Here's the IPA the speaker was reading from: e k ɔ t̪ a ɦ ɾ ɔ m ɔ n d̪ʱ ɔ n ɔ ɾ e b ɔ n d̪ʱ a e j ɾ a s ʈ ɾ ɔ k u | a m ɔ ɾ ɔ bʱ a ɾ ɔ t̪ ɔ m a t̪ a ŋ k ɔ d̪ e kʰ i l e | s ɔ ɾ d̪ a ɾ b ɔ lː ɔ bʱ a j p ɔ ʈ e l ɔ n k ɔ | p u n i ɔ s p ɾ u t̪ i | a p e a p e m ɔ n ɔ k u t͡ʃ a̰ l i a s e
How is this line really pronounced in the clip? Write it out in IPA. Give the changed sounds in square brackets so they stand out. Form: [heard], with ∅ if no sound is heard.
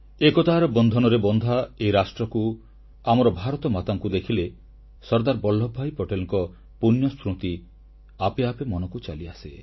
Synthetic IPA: e k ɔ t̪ a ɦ ɾ ɔ [b] ɔ n d̪ʱ ɔ n ɔ ɾ e b ɔ n d̪ʱ a e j ɾ a s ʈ ɾ ɔ k u | a m ɔ ɾ ɔ bʱ a ɾ ɔ t̪ ɔ m a t̪ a ŋ k [u] d̪ e kʰ i l e | s ɔ ɾ d̪ a ɾ b ɔ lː ɔ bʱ a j p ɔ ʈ e l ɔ [ŋ] k ɔ | p u n [j] ɔ s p ɾ u t̪ i | a p e a p e m ɔ n ɔ k u t͡ʃ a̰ l i a s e